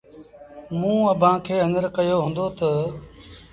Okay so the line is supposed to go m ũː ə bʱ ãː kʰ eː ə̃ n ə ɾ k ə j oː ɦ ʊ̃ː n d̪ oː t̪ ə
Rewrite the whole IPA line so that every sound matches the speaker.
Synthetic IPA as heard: m ũː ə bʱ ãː kʰ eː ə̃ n ə ɾ k ə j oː ɦ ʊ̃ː n d̪ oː t̪ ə